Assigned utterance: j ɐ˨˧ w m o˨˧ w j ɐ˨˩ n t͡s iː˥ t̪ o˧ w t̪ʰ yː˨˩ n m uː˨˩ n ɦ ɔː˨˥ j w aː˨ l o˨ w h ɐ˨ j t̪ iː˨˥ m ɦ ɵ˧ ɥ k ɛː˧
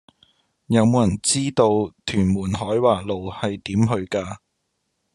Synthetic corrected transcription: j ɐ˨˧ w m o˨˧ w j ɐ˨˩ n t͡s iː˥ t̪ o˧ w t̪ʰ yː˨˩ n m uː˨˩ n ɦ ɔː˨˥ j w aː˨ l o˨ w h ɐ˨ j t̪ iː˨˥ m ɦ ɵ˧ ɥ k aː˧

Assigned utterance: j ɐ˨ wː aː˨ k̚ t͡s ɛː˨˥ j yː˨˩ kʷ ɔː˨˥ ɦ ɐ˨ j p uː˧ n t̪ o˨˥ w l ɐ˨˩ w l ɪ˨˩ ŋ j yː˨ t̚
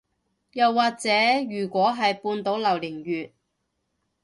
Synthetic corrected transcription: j ɐ˨ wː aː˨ k̚ t͡s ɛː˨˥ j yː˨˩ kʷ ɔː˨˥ ɦ ɐ˨ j p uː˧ n t̪ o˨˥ w l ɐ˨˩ w l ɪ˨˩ ŋ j yː˨ t̚

